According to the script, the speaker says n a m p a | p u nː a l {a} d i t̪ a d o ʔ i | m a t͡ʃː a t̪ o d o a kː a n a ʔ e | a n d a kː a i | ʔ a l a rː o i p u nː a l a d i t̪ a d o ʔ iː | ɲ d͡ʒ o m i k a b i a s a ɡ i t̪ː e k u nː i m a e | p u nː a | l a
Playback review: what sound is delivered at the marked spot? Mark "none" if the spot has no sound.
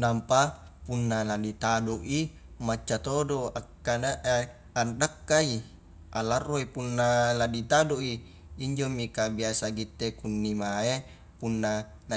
a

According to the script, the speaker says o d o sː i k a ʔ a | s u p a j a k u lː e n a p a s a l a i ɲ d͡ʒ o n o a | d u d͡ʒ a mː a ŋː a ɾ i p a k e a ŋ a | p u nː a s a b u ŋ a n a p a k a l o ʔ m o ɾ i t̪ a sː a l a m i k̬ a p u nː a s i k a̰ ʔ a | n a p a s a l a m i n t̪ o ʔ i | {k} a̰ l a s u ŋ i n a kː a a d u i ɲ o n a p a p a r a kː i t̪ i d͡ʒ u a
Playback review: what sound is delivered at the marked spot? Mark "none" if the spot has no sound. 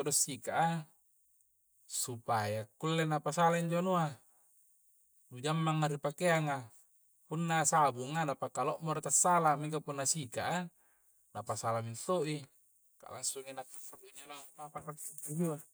k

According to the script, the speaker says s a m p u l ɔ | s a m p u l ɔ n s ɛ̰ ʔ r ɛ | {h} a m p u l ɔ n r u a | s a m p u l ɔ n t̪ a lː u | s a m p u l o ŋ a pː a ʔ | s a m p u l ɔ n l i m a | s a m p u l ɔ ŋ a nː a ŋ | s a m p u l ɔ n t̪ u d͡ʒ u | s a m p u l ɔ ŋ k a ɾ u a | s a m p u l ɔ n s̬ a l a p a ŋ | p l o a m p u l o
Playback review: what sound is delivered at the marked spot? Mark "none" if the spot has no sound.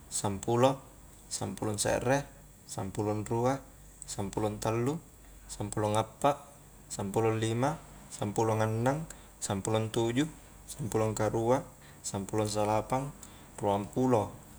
s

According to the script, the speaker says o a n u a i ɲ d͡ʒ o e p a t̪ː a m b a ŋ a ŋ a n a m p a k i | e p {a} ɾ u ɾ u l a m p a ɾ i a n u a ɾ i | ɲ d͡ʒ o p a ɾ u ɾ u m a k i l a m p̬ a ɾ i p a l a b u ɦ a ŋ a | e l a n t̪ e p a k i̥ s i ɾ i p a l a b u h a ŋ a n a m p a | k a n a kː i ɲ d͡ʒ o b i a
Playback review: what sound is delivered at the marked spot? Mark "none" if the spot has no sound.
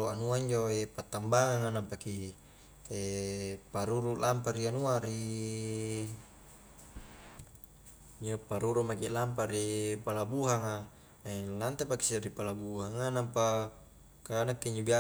a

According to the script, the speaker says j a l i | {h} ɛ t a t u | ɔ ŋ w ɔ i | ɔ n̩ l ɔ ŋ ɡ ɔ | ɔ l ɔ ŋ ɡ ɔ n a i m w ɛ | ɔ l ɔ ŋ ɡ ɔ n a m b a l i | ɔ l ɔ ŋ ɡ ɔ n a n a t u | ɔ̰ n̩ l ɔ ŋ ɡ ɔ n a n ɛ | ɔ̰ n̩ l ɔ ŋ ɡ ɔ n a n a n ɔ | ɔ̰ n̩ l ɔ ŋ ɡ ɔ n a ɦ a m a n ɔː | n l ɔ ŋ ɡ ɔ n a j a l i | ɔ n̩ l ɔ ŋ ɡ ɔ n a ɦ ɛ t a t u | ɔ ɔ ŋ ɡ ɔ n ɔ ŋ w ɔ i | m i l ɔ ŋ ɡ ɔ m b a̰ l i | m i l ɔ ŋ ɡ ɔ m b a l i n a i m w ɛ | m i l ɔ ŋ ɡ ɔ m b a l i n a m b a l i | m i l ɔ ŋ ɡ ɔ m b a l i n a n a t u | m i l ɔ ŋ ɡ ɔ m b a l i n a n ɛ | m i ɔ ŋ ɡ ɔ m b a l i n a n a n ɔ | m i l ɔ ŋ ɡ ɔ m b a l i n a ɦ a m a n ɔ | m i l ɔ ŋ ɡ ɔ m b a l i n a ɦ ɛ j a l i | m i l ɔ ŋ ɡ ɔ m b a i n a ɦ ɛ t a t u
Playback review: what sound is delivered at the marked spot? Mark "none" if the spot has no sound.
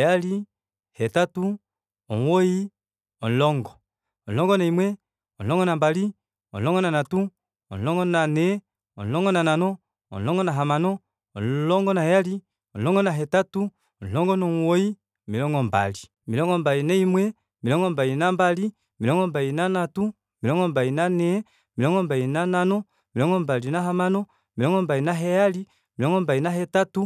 h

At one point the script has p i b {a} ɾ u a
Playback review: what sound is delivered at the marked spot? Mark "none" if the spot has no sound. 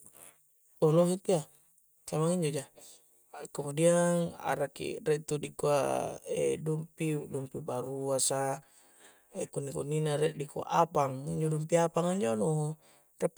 a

